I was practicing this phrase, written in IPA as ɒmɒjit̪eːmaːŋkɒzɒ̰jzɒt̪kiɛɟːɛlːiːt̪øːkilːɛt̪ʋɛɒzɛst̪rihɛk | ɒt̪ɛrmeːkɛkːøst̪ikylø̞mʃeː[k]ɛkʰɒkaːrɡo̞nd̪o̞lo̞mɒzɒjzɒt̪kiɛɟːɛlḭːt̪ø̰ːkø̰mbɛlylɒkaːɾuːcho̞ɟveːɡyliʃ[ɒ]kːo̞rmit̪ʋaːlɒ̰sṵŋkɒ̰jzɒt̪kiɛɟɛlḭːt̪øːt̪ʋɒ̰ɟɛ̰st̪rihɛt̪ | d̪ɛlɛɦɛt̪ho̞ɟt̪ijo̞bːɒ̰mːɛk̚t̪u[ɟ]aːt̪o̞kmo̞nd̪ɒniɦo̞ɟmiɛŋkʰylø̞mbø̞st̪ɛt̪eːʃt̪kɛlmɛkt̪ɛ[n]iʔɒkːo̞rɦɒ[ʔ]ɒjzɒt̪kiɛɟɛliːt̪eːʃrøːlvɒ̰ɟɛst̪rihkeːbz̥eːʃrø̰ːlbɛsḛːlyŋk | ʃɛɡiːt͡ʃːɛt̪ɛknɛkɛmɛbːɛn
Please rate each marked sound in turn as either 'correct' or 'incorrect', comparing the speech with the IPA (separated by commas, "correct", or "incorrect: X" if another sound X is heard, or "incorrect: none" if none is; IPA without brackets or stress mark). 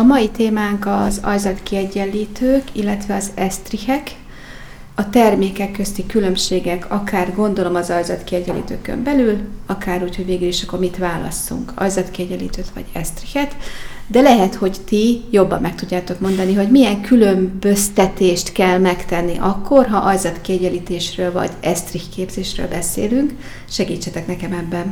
incorrect: ɡ, correct, incorrect: ɟː, incorrect: nː, correct